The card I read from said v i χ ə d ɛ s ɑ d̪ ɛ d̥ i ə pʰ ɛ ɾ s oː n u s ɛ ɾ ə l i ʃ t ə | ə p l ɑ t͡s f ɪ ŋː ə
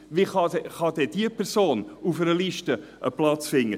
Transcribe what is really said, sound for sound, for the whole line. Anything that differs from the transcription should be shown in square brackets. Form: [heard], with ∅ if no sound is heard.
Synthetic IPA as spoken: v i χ [ɑ] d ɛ [χ] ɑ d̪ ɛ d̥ i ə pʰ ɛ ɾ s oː n u [f] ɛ ɾ ə l i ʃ t ə | ə p l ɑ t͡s f ɪ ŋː ə